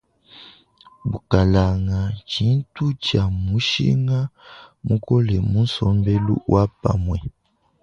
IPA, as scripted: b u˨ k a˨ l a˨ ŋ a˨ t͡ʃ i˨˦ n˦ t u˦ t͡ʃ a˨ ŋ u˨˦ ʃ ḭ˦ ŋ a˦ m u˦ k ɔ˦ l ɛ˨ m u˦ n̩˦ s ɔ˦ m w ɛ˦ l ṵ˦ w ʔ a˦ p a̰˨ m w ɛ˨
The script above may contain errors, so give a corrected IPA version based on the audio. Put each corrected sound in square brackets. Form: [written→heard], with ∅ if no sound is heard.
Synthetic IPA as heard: b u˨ k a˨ l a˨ ŋ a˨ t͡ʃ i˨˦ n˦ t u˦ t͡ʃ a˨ [ŋ→m] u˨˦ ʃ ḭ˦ ŋ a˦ m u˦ k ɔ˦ l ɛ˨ m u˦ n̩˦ s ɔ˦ m [w→b] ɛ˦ l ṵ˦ w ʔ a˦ p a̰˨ m w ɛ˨